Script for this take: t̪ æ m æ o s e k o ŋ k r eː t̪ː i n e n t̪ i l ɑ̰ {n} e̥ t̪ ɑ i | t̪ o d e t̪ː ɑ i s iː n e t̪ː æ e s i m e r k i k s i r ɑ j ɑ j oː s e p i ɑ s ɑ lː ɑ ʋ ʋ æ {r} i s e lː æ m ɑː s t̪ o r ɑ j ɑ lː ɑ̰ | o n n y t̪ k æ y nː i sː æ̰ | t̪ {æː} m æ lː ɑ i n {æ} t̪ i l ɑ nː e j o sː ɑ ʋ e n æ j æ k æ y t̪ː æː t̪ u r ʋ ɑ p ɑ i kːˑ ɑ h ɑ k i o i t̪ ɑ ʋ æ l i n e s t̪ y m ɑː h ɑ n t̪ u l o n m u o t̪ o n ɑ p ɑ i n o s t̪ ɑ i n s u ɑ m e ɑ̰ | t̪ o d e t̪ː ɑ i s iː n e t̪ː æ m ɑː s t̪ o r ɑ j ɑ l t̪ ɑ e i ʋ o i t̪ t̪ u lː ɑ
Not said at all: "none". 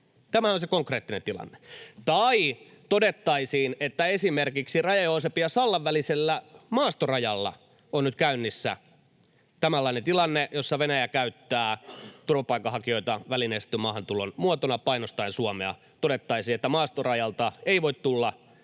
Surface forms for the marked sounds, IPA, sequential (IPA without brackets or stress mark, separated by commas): nː, l, æ, e